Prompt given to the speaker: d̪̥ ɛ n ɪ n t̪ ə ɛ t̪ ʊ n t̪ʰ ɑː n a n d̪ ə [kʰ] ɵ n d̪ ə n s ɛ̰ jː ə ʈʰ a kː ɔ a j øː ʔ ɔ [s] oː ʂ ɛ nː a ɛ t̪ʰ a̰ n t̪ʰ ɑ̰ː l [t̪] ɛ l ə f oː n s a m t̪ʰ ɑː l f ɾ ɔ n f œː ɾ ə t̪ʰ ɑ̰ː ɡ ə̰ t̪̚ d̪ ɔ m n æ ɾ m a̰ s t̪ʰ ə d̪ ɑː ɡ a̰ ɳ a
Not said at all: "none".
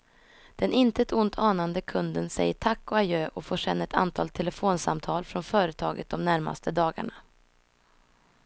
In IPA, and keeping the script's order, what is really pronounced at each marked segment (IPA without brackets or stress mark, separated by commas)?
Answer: kʰ, f, t̪ʰ